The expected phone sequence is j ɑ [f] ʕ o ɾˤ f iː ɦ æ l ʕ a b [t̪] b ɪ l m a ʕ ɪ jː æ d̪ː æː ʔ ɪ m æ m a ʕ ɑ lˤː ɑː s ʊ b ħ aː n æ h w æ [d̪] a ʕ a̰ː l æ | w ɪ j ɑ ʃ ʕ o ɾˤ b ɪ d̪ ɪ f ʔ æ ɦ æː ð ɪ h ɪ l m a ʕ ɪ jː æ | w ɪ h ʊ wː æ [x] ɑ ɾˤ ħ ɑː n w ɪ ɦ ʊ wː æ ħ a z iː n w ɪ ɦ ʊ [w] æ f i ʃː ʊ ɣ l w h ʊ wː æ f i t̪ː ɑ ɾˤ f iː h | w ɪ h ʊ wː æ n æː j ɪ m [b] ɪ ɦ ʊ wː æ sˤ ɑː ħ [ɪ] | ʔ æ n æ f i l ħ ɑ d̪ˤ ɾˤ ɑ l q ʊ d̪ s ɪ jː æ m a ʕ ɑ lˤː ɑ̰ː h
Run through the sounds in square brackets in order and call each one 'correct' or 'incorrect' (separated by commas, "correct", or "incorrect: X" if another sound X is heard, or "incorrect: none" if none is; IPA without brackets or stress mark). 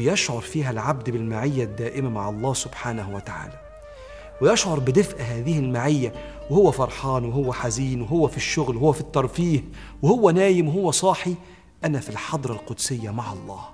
incorrect: ʃ, incorrect: d̪, incorrect: t̪, incorrect: f, incorrect: wː, incorrect: w, incorrect: i